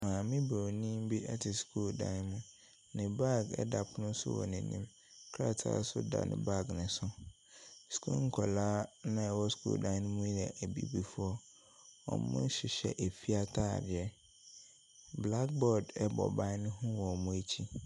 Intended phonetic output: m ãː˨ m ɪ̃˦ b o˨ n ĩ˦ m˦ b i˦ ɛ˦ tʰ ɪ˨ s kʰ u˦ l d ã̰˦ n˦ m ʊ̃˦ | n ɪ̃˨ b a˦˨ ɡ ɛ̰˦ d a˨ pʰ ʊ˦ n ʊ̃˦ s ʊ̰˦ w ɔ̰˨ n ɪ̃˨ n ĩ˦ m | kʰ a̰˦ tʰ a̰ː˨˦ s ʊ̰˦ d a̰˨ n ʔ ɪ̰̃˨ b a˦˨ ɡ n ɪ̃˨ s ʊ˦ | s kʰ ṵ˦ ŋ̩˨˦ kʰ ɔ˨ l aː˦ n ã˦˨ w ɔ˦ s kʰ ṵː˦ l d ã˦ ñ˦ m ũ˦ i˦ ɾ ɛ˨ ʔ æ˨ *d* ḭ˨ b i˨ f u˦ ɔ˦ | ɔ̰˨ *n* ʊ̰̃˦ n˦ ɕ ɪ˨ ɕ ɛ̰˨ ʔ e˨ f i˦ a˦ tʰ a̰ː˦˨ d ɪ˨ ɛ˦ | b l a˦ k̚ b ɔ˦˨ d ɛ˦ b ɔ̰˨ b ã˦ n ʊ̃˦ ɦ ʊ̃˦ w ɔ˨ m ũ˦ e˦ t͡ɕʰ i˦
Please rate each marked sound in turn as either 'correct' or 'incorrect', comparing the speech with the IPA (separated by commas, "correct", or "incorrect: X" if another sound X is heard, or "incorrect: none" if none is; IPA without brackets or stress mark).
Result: incorrect: b, incorrect: m